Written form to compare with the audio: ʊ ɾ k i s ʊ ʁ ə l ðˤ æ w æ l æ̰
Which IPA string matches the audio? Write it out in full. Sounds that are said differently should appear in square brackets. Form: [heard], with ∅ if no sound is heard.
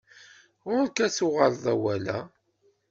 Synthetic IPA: ʊ ɾ k [æ] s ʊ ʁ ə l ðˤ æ w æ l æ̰